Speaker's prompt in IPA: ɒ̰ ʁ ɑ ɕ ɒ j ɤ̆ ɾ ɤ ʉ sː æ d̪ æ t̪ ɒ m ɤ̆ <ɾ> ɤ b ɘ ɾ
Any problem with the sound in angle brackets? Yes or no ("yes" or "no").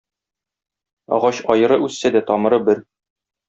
no